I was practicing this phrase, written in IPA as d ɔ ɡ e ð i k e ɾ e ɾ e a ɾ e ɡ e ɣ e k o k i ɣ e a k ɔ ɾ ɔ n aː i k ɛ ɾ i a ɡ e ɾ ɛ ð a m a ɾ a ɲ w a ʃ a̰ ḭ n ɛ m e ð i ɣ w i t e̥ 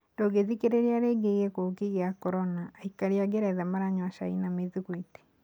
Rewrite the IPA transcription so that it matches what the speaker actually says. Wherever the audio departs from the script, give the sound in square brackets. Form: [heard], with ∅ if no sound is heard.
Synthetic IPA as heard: d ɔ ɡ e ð i k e ɾ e ɾ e a ɾ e ɡ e ɣ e k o k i ɣ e a k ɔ ɾ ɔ n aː i k [a] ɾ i a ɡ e ɾ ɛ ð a m a ɾ a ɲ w a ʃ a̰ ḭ n [a] m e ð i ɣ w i t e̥